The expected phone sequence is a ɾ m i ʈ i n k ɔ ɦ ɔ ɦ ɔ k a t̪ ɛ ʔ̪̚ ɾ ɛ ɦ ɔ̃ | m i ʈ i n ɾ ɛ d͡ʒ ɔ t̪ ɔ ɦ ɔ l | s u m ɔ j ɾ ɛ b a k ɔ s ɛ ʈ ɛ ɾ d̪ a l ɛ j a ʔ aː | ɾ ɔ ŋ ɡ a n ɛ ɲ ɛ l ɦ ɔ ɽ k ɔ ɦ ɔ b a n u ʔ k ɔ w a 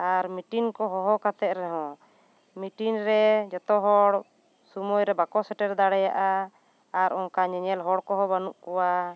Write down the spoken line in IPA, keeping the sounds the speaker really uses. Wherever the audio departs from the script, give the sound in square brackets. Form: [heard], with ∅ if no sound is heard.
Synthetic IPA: a ɾ m i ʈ i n k ɔ ɦ ɔ ɦ ɔ k a t̪ ɛ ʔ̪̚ ɾ ɛ ɦ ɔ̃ | m i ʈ i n ɾ ɛ d͡ʒ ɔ t̪ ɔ ɦ ɔ [ɽ] | s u m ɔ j ɾ ɛ b a k ɔ s ɛ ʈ ɛ ɾ d̪ a [ɽ] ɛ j a ʔ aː | ɾ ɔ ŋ [k] a [ɲ] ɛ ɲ ɛ l ɦ ɔ ɽ k ɔ ɦ ɔ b a n u ʔ k ɔ w a